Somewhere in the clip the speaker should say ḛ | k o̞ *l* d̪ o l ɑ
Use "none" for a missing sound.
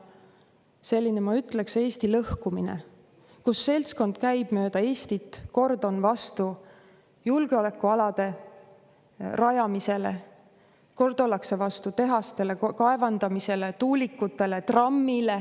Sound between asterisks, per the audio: r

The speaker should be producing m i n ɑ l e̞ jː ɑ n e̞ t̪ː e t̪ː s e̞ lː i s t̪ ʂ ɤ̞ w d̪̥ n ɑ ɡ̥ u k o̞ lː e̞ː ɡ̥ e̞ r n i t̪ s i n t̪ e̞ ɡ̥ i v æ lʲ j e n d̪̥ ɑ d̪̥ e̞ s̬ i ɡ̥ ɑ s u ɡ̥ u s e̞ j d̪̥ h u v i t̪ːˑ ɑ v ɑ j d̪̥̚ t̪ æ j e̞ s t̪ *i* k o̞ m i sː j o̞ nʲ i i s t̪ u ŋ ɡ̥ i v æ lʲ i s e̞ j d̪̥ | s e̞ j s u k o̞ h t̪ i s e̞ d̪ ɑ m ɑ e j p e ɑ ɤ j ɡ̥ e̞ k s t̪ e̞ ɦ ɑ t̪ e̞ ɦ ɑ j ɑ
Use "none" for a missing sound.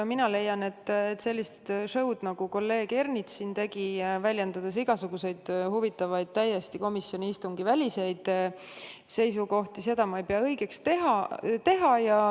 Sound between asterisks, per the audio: i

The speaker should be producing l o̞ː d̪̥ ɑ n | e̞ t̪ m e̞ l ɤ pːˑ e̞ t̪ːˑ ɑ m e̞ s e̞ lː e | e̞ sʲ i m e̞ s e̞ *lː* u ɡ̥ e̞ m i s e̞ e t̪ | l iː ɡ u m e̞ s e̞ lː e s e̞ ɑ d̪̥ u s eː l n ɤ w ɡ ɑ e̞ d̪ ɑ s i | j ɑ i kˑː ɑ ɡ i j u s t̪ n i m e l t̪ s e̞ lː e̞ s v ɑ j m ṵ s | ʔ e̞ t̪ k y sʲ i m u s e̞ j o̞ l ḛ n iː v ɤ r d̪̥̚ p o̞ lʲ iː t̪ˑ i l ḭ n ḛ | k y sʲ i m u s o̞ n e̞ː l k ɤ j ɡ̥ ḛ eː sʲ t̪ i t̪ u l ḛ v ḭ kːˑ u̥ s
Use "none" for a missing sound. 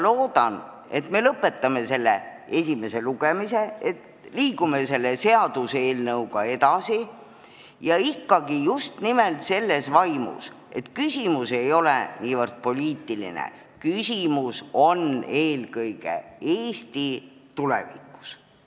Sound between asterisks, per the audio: l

